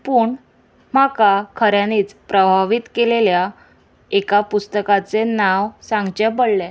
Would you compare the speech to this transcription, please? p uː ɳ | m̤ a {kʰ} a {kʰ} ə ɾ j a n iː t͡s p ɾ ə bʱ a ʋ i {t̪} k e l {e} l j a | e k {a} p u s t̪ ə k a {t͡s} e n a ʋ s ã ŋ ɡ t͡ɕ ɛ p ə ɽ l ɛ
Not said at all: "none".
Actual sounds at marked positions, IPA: k, kʰ, t̪, e, a, t͡s

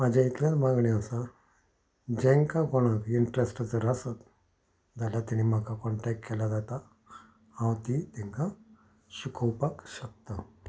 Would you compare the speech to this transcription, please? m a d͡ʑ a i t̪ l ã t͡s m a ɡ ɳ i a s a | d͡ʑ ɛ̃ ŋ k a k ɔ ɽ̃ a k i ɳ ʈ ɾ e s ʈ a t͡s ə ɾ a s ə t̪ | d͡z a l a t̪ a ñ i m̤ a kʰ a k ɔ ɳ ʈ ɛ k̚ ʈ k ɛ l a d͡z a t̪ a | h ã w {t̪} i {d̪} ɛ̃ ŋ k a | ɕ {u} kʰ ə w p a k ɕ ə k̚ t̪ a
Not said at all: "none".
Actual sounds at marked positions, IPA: t̪, t̪, u

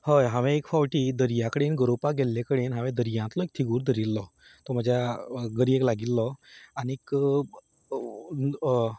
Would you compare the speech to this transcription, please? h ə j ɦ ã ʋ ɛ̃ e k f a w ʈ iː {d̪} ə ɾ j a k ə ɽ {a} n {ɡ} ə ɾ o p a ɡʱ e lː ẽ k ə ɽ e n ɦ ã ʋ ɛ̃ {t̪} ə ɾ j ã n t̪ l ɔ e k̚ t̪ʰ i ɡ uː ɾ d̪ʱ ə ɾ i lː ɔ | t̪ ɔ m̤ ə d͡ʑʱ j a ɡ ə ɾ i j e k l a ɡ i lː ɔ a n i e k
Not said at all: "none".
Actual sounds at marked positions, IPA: d̪, e, ɡ, d̪

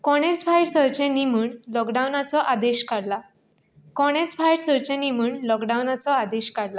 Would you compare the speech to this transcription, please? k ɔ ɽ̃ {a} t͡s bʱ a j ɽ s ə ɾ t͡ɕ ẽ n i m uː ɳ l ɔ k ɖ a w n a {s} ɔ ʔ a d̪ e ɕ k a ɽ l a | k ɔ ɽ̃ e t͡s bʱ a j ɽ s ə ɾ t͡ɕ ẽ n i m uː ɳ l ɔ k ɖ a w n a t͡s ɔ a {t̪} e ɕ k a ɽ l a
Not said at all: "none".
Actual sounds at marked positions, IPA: e, t͡s, d̪

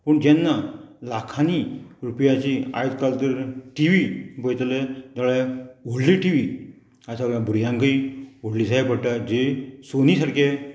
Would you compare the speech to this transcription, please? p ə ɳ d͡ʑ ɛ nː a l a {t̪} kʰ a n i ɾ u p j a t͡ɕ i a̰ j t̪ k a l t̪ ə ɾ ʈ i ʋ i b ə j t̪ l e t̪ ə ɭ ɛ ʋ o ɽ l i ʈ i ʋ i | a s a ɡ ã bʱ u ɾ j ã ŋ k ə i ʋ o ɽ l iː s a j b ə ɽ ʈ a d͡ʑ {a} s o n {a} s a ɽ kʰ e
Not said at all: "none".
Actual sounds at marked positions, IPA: none, e, i

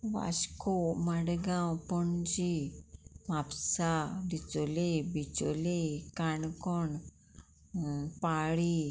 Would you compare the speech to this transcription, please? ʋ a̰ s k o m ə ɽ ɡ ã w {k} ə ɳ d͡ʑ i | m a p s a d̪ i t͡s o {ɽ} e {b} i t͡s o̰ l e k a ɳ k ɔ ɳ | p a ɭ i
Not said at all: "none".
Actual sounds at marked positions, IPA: p, l, b

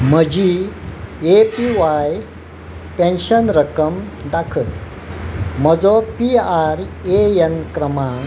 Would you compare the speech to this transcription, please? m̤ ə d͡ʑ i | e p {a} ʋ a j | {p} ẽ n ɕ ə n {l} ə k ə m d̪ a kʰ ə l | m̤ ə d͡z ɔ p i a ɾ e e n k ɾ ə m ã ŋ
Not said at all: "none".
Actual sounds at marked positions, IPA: i, p, ɾ

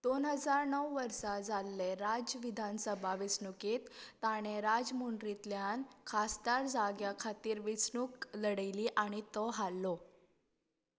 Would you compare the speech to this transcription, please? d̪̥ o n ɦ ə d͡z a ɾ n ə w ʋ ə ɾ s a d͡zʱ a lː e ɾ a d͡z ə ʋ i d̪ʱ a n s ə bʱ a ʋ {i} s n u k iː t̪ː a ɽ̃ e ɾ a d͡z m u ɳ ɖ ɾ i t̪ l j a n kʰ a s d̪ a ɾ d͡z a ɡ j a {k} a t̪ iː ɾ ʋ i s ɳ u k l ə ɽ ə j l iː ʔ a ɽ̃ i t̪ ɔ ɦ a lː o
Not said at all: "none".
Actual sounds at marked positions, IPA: i, kʰ

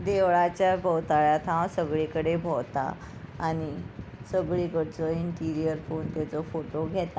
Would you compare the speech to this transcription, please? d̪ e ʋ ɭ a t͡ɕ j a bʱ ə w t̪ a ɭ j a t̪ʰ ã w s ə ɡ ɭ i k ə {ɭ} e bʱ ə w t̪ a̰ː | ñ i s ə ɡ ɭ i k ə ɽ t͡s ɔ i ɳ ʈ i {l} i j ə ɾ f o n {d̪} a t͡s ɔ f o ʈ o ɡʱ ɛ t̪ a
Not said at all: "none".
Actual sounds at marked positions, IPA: ɽ, ɾ, t̪

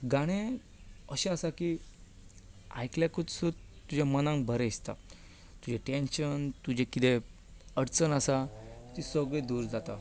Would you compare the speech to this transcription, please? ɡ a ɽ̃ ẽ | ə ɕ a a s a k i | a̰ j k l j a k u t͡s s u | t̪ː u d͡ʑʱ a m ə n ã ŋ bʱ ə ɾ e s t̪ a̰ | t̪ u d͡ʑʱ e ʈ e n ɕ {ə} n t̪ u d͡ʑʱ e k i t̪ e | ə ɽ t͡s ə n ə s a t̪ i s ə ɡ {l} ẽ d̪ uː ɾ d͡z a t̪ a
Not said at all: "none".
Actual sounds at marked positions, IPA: ə, ɭ

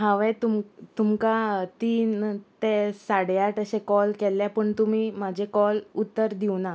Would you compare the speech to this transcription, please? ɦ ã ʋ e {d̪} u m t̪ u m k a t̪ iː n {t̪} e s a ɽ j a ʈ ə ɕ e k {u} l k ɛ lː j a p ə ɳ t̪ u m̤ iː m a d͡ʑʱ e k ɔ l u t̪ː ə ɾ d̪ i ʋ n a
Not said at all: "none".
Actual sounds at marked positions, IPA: t̪, t̪, ɔ

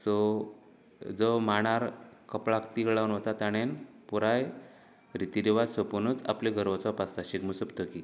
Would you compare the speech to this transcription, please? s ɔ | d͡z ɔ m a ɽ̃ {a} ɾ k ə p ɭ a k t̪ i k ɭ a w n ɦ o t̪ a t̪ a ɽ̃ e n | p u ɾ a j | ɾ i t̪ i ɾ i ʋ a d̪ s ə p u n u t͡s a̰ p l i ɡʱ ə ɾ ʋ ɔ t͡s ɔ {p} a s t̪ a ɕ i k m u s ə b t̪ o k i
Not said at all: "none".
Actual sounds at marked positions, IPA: a, p

